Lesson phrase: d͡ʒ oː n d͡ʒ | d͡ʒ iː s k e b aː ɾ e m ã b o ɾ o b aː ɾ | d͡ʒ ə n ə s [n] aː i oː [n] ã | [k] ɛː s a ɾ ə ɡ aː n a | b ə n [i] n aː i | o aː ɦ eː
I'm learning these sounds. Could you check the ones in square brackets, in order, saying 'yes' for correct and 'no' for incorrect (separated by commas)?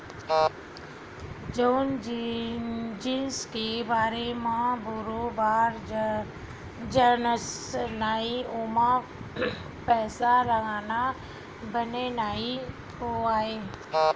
yes, no, no, no